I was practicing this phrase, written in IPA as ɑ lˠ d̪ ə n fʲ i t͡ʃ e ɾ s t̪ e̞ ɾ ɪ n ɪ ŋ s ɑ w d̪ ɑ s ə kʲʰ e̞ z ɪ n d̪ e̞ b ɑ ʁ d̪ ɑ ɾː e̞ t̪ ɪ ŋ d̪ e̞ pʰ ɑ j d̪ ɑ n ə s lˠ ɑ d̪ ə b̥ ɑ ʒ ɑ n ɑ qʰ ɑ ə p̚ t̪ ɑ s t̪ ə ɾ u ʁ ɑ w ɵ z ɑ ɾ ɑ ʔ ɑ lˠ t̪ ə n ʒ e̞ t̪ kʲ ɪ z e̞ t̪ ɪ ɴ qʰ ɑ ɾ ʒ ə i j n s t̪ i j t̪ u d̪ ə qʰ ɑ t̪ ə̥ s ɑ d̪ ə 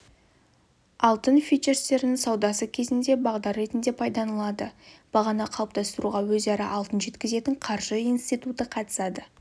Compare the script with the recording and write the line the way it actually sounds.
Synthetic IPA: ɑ lˠ t̪ ə n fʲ i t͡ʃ e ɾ s t̪ e̞ ɾ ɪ n ɪ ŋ s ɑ w d̪ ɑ s ə kʲʰ e̞ z ɪ n d̪ e̞ b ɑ ʁ d̪ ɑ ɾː e̞ t̪ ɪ n d̪ e̞ pʰ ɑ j d̪ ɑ n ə lˠ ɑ d̪ ə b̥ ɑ ʁ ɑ n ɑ qʰ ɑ ə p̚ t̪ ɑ s t̪ ə ɾ u ʁ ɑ w ɵ z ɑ ɾ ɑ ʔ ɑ lˠ t̪ ə n ʒ e̞ t̪ kʲ ɪ z e̞ t̪ ɪ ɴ qʰ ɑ ɾ ʒ ə i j n s t̪ i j t̪ u t̪ ə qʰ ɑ t̪ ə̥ s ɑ d̪ ə